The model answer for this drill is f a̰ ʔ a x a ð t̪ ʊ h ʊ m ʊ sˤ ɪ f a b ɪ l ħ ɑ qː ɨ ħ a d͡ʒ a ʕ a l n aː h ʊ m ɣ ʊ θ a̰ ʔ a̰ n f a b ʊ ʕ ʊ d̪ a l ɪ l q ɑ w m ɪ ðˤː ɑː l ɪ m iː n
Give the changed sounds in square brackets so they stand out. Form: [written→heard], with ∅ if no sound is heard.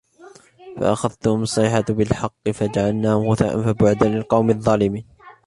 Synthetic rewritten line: f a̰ ʔ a x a ð t̪ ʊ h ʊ m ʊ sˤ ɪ [f→ħ] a b ɪ l ħ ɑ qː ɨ [ħ→f] a d͡ʒ a ʕ a l n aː h ʊ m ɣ ʊ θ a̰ ʔ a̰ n f a b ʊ ʕ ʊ d̪ a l ɪ l q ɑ w m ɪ ðˤː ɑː l ɪ m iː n